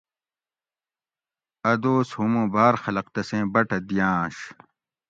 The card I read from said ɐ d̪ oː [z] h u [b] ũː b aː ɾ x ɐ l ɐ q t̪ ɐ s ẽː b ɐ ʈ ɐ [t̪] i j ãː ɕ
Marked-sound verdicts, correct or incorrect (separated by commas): incorrect, incorrect, incorrect